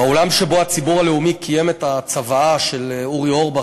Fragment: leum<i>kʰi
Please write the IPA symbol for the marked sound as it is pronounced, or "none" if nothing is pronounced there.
i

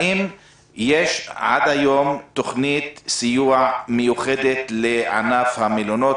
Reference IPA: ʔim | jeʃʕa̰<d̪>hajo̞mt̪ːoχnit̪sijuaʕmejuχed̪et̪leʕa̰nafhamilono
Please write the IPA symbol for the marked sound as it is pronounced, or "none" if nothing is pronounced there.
d̪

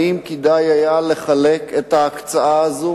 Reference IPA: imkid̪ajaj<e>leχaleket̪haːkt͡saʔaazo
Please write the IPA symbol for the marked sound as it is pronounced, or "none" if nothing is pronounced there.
a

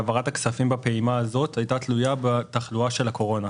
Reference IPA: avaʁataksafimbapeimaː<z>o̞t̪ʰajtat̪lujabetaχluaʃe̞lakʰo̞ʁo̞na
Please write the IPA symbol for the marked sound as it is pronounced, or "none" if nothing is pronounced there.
z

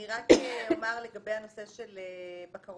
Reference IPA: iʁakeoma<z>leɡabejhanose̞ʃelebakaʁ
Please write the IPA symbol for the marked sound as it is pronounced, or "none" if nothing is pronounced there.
ʁ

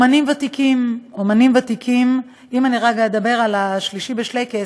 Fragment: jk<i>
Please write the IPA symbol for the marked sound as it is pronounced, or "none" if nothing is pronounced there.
e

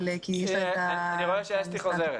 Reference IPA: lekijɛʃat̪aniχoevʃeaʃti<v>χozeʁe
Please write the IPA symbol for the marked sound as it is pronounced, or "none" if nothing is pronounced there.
none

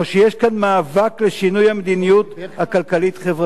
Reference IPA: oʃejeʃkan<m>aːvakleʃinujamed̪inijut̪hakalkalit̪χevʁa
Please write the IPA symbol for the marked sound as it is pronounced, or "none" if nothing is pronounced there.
m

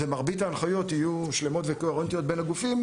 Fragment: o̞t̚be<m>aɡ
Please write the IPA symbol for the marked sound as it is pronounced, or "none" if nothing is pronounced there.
n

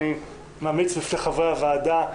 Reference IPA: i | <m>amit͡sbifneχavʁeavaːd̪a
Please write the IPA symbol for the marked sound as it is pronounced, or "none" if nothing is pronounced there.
m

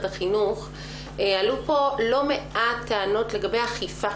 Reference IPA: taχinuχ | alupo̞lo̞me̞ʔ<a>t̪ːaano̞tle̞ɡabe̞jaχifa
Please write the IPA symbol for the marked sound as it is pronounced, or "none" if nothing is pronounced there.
a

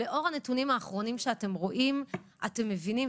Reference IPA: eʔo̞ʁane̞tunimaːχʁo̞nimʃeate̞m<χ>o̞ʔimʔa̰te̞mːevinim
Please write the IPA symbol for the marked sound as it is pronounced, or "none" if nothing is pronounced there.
ʁ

